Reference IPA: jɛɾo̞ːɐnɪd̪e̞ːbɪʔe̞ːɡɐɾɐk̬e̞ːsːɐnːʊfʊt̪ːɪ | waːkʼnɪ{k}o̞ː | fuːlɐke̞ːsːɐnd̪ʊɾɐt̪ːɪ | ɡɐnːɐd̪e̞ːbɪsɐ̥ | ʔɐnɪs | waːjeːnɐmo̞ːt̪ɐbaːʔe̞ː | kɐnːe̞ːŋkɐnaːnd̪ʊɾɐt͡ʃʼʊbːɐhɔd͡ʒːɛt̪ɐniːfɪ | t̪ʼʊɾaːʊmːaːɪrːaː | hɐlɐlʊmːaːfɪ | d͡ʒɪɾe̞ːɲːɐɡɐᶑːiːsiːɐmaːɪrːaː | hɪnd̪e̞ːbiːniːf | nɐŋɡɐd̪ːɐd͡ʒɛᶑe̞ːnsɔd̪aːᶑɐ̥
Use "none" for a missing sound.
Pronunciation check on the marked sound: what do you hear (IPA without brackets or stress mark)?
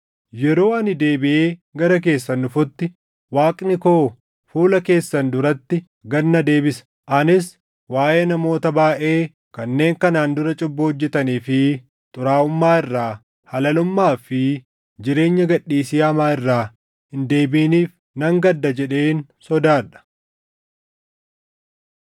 k